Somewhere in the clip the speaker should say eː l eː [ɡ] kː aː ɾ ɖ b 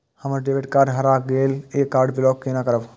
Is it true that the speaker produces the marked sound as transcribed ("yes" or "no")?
no